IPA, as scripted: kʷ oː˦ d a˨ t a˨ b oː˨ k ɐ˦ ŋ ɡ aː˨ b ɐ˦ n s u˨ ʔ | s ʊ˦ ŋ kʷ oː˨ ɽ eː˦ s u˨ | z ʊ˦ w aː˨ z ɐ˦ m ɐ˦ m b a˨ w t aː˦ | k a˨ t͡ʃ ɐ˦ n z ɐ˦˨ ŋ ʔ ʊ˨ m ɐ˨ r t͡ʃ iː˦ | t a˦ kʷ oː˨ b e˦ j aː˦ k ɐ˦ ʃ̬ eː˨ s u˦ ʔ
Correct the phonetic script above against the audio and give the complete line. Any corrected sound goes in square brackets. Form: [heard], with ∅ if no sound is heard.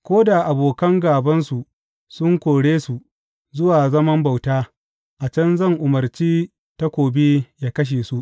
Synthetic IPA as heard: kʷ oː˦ d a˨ [ʔ] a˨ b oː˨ k ɐ˦ ŋ ɡ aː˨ b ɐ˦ n s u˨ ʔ | s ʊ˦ ŋ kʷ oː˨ ɽ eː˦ s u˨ | z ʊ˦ w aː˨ z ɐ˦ m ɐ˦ m b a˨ w t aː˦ | [ʔ] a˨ t͡ʃ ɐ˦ n z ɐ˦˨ ŋ ʔ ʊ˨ m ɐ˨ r t͡ʃ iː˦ | t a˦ kʷ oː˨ b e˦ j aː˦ k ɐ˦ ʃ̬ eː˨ s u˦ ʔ